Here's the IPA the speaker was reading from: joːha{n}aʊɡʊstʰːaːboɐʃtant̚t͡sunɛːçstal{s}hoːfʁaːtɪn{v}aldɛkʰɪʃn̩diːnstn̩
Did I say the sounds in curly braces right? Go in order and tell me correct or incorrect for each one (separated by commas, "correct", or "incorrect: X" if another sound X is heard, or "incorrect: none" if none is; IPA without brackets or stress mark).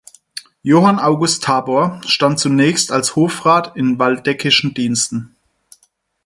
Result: correct, correct, correct